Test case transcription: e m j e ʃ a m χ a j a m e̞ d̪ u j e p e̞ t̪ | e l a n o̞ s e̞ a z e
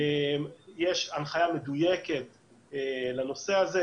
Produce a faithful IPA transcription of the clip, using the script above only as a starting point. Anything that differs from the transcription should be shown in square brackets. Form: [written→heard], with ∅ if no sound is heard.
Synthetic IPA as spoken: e m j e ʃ a [m→n] χ a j a m e̞ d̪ u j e [p→k] e̞ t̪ | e l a n o̞ s e̞ a z e

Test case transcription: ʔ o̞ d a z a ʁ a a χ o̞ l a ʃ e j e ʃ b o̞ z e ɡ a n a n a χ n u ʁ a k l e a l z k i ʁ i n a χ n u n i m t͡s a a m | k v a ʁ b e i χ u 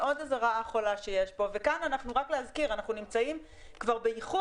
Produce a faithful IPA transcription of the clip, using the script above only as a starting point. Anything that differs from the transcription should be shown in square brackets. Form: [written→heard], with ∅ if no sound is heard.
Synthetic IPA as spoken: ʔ o̞ d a z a ʁ a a χ o̞ l a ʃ e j e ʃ b o̞ [z→v] e [ɡ→k] a n a n a χ n u ʁ a k l e a [l→∅] z k i ʁ [i→a] n a χ n u n i m t͡s a [a→i] m | k v a ʁ b e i χ u

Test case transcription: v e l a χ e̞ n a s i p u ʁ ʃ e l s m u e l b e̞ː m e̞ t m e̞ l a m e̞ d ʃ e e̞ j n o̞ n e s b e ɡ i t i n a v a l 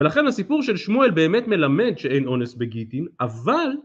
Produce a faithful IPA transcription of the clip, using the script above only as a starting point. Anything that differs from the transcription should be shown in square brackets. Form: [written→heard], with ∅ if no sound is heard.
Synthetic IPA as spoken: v e l a χ e̞ n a s i p u ʁ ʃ e l [s→ʃ] m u e l b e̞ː m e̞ t m e̞ l a m e̞ d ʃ e e̞ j n o̞ n e s b e ɡ i t i n a v a l

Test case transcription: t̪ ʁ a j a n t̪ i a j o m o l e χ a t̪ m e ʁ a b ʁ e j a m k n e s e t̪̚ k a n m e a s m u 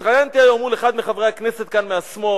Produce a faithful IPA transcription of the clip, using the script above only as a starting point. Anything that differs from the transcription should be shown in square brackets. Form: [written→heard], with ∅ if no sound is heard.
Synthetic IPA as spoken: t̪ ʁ a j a n t̪ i a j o m [o→u] l e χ a [t̪→d̪] m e [ʁ→χ] a [b→v] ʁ e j a [m→∅] k n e s e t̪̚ k a n m e a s m [u→o]

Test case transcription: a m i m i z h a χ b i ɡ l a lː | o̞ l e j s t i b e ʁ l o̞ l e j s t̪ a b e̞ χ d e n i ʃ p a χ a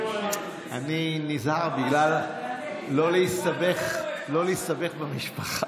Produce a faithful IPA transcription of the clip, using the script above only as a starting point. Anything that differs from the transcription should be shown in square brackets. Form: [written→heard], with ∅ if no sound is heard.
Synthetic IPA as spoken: a [m→n] i [m→n] i z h a [χ→ʁ] b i ɡ l a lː | o̞ l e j s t [i→a] b e [ʁ→χ] l o̞ l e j s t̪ a b e̞ χ [d→b] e [n→m] i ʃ p a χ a

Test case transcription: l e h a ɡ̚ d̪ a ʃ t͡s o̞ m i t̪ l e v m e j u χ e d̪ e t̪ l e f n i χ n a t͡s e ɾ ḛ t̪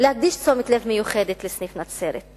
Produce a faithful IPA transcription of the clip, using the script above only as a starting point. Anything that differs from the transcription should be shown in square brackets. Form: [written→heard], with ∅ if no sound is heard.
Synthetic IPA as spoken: l e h a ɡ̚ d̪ [a→i] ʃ t͡s o̞ m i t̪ l e v m e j u χ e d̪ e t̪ l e [f→s] n i [χ→f] n a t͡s e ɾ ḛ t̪

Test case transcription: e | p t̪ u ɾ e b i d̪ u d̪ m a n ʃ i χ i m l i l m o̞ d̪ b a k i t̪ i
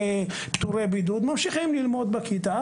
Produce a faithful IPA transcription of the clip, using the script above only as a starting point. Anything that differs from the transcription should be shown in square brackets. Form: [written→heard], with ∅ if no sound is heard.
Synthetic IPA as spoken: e | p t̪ u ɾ e b i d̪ u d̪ m a [n→m] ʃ i χ i m l i l m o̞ d̪ b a k i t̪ [i→a]

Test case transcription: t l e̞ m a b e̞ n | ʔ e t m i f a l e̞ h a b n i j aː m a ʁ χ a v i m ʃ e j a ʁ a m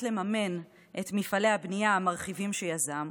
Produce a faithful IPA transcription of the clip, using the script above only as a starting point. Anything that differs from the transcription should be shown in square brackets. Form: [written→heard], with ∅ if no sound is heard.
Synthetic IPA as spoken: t l e̞ m a [b→m] e̞ n | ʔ e t m i f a l e̞ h a b n i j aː m a ʁ χ [a→i] v i m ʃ e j a [ʁ→z] a m

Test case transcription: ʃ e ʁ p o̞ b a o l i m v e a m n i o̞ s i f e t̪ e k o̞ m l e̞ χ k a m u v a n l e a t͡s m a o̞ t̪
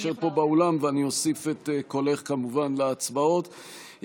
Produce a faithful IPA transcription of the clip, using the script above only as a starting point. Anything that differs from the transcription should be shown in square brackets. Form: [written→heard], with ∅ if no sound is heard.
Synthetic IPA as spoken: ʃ e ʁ p o̞ b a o l [i→a] m v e a [m→∅] n i o̞ s i f e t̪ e k o̞ [m→∅] l e̞ χ k a m u v a n l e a t͡s [m→b] a o̞ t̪

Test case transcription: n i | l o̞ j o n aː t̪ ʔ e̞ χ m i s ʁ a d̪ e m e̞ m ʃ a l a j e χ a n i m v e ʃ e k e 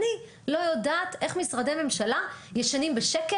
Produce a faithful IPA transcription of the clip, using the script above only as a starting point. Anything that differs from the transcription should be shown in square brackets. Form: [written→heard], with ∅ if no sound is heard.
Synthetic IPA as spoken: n i | l o̞ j o [n→d] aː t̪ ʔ e̞ χ m i s ʁ a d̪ e m e̞ m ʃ a l a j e [χ→ʃ] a n i m [v→b] e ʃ e k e

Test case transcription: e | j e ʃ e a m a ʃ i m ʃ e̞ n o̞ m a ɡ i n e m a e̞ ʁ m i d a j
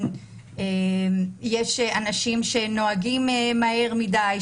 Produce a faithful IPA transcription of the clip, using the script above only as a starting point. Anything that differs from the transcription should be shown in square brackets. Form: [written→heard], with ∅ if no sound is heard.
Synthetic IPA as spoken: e | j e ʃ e a [m→n] a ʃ i m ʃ e̞ n o̞ [m→∅] a ɡ i [n→m] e m a e̞ ʁ m i d a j

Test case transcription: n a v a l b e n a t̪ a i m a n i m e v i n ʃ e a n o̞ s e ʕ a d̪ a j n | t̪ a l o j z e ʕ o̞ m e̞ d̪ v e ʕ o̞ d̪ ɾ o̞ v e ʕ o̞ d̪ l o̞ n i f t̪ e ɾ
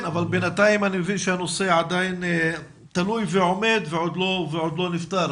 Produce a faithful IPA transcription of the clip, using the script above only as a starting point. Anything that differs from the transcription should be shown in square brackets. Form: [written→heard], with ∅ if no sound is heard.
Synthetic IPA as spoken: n a v a l b e n a t̪ a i m a n i m e v i n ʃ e a n o̞ s e ʕ a d̪ a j n | t̪ a l [o→u] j [z→v] e ʕ o̞ m e̞ d̪ v e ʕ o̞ d̪ [ɾ→l] o̞ v e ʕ o̞ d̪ l o̞ n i f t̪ [e→a] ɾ

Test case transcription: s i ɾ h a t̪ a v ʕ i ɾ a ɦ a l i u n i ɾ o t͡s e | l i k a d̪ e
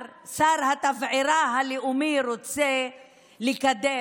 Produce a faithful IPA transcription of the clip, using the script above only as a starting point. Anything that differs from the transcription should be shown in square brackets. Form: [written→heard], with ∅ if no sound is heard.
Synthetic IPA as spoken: s [i→a] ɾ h a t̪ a v ʕ i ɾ a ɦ a l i u [n→m] i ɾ o t͡s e | l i k a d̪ e

